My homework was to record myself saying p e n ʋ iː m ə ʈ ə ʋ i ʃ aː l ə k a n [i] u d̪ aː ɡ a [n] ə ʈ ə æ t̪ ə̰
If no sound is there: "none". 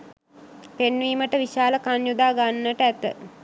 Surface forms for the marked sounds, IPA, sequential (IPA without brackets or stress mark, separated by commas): j, nː